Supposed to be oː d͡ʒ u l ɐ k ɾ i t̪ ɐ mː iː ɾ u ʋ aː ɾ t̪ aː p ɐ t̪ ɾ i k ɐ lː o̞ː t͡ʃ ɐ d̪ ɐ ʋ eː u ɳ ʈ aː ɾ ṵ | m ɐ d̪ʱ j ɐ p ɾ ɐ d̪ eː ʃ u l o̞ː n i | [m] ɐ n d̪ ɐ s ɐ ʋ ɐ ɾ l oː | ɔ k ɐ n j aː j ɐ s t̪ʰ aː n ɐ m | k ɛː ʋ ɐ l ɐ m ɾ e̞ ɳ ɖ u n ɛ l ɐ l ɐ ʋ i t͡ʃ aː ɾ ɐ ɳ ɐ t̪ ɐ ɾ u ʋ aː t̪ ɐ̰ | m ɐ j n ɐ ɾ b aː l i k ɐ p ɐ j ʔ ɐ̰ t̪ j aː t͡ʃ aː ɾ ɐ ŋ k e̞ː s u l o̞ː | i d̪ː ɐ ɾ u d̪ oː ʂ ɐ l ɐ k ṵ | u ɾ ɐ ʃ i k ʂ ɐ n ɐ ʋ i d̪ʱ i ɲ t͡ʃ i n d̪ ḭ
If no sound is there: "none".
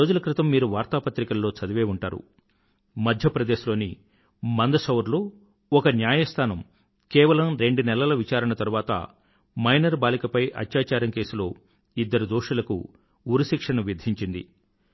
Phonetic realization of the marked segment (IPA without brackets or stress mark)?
m